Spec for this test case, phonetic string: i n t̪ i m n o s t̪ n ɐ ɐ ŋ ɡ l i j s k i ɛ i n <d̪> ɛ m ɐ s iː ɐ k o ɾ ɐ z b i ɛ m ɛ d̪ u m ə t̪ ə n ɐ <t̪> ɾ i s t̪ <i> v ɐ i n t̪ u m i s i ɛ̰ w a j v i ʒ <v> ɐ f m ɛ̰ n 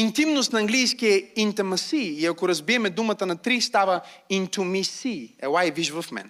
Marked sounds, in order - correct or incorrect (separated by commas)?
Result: incorrect, correct, incorrect, correct